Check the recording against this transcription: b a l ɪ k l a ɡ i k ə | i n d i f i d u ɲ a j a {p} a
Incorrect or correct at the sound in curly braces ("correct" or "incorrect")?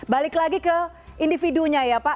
correct